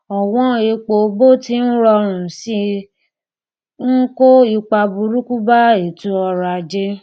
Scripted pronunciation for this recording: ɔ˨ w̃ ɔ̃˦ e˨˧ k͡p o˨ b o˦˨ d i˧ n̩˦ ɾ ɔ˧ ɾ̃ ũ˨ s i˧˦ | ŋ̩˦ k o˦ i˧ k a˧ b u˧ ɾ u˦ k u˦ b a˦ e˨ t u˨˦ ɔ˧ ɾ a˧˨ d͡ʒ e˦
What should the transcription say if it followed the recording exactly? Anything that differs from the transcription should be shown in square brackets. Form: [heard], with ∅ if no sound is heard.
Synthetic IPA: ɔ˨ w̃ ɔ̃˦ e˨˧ k͡p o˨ b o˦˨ [t] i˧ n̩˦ ɾ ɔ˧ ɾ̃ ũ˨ s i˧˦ | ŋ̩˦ k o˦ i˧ [k͡p] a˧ b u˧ ɾ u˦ k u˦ b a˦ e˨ t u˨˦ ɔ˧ ɾ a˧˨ d͡ʒ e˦